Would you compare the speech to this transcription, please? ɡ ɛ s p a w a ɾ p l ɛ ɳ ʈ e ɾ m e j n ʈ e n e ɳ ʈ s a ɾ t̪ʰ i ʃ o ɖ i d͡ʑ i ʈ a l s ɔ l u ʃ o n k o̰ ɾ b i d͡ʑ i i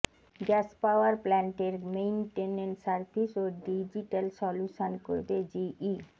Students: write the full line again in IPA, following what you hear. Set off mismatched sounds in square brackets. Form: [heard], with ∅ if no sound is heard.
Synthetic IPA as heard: ɡ ɛ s p a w a ɾ p l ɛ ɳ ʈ e ɾ m e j n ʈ e n e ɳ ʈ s a ɾ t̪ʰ i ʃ o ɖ i d͡ʑ i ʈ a l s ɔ l u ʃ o n k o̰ ɾ b [e] d͡ʑ i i